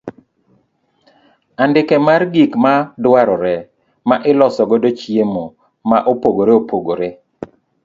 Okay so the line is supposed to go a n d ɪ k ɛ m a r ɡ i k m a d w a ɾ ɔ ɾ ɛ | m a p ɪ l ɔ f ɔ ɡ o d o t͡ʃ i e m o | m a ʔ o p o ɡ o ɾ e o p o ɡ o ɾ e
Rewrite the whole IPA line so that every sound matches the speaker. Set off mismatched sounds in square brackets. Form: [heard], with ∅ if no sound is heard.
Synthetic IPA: a n d ɪ k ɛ m a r ɡ i k m a d w a ɾ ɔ ɾ ɛ | m a [ʔ] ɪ l ɔ [s] ɔ ɡ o d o t͡ʃ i e m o | m a ʔ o p o ɡ o ɾ e o p o ɡ o ɾ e